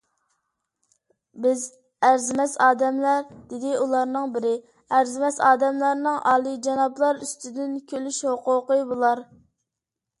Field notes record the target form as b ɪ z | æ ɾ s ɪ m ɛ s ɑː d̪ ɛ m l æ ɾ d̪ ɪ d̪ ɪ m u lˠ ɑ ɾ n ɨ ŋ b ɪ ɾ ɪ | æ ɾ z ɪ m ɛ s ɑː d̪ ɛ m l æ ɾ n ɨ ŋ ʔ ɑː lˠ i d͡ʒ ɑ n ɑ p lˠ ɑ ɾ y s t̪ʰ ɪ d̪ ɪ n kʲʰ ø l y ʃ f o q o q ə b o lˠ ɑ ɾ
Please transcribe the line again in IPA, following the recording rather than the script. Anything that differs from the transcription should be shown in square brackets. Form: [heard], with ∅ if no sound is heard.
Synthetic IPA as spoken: b ɪ z | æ ɾ [z] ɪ m ɛ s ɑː d̪ ɛ m l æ ɾ d̪ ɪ d̪ ɪ [∅] u lˠ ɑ ɾ n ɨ ŋ b ɪ ɾ ɪ | æ ɾ z ɪ m ɛ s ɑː d̪ ɛ m l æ ɾ n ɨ ŋ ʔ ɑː lˠ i d͡ʒ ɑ n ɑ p lˠ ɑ ɾ y s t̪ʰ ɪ d̪ ɪ n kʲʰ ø l y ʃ [h] o q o q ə b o lˠ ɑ ɾ